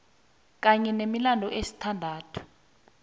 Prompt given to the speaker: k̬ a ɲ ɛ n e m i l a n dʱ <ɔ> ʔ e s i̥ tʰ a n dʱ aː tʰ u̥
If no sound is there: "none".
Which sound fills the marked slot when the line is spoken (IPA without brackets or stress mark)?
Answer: ɔ